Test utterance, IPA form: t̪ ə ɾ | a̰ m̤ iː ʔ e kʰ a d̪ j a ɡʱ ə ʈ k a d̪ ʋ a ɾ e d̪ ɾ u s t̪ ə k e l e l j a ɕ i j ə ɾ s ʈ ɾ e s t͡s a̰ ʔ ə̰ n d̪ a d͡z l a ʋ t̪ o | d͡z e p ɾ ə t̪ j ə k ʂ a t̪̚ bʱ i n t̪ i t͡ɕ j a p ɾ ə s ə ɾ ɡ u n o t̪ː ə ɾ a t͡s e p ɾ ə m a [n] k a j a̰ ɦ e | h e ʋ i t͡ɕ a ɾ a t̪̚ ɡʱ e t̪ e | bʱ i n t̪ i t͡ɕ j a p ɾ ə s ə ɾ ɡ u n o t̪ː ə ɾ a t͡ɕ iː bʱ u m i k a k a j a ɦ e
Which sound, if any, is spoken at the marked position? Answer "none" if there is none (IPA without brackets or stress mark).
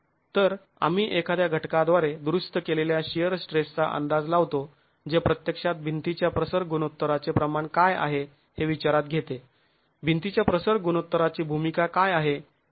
ɳ